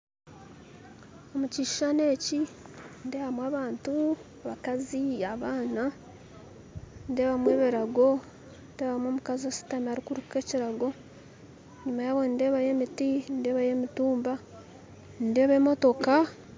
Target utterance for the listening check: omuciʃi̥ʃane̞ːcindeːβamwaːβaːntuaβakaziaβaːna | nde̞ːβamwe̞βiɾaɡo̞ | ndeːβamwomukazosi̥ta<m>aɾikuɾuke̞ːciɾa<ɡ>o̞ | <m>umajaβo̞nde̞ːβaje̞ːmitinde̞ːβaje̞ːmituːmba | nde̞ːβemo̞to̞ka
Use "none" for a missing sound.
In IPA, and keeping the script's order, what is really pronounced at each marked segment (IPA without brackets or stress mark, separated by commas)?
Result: m, ɡ, ɲ